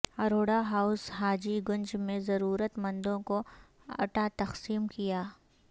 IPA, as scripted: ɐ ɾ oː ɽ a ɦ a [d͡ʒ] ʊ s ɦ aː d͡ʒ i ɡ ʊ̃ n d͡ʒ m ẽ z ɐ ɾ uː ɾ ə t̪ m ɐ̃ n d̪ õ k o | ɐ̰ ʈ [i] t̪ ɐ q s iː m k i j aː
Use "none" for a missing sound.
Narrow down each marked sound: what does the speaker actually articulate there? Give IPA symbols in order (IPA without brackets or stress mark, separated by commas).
none, a